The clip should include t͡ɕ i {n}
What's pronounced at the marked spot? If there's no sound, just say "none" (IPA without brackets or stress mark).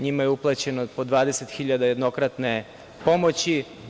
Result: none